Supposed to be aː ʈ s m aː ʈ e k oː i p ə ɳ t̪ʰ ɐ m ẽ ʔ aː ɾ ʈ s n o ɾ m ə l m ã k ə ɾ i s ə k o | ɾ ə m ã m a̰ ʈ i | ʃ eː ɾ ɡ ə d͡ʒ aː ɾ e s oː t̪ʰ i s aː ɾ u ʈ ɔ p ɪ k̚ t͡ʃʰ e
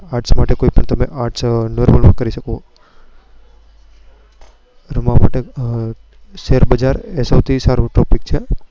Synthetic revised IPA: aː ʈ s m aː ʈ e k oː i p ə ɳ t̪ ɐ m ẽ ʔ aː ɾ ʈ s n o ɾ m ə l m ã k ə ɾ i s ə k o | ɾ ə m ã m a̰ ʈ e | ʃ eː ɾ b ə d͡ʒ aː ɾ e s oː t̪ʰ i s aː ɾ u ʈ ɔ p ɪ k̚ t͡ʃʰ e